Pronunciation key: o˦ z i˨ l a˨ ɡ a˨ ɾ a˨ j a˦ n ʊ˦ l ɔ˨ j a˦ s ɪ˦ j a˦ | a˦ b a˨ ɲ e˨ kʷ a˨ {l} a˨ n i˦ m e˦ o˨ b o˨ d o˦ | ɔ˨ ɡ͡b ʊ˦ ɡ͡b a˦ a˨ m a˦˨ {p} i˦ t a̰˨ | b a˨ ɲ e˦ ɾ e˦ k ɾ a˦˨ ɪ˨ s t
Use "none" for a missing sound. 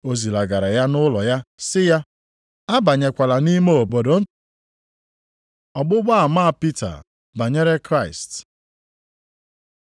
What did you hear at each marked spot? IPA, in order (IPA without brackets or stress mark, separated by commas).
l, p